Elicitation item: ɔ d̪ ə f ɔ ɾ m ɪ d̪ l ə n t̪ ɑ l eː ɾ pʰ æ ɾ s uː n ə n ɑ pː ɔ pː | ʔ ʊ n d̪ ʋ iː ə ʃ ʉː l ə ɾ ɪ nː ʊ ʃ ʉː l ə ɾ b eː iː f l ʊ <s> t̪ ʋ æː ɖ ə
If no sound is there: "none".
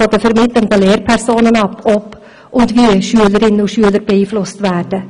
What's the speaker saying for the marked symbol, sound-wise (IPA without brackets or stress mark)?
s